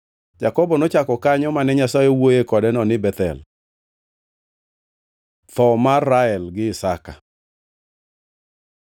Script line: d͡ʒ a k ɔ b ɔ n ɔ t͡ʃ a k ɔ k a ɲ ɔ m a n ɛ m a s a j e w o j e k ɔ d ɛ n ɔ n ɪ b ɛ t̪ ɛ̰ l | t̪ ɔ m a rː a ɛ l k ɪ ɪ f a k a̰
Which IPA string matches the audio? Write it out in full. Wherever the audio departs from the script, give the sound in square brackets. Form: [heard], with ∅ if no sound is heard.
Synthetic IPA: d͡ʒ a k ɔ b ɔ n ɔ t͡ʃ a k ɔ k a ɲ ɔ m a n ɛ [ɲ] a s a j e w o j e k ɔ d ɛ n ɔ n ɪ b ɛ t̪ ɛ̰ l | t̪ ɔ m a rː a ɛ l [ɡ] ɪ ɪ [s] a k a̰